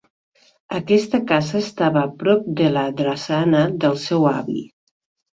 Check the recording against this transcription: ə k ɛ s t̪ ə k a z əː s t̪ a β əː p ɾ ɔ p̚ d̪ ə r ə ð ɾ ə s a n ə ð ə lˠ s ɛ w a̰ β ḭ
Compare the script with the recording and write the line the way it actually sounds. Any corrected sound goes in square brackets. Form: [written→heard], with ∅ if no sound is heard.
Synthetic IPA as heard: ə k ɛ s t̪ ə k a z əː s t̪ a β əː p ɾ ɔ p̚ d̪ ə [r→l] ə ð ɾ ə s a n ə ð ə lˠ s ɛ w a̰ β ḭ

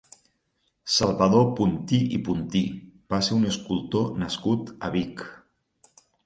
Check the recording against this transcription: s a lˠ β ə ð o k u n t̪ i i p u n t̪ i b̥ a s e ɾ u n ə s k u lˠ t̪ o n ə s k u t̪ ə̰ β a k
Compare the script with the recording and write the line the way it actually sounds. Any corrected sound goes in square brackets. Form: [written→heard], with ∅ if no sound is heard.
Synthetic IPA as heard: s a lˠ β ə ð o [k→p] u n t̪ i i p u n t̪ i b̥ a s e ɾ u n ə s k u lˠ t̪ o n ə s k u t̪ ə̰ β [a→i] k

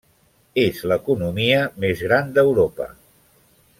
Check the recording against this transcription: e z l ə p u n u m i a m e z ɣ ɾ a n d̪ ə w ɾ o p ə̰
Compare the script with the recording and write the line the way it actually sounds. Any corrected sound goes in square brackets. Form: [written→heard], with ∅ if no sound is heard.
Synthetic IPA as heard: e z l ə [p→k] u n u m i [a→ə] m e z ɣ ɾ a n d̪ ə w ɾ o p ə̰

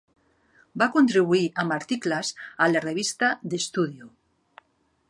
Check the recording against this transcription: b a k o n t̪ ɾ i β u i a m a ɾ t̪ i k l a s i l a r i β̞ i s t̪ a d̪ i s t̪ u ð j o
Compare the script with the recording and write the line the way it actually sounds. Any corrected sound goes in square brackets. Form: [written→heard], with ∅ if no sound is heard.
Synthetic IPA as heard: b a k o n t̪ ɾ i β u i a m a ɾ t̪ i k l a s [i→a] l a r [i→e] β̞ i s t̪ a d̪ [i→e] s t̪ u ð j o

